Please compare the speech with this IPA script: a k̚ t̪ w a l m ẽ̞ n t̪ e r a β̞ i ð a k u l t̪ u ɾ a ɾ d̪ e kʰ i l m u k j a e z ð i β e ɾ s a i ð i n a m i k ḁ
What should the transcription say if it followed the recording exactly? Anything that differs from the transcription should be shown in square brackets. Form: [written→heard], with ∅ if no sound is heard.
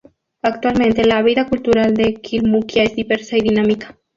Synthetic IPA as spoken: a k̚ t̪ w a l m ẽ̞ n t̪ e [r→l] a β̞ i ð a k u l t̪ u ɾ a [ɾ→l] d̪ e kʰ i l m u k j a e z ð i β e ɾ s a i ð i n a m i k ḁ